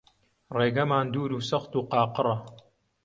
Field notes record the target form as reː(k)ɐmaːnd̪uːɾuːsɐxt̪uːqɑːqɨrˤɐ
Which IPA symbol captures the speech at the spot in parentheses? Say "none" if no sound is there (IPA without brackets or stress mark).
ɡ